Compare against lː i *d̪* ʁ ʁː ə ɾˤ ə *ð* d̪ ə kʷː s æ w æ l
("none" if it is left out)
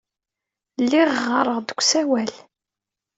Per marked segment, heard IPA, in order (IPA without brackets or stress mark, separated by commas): none, ʁ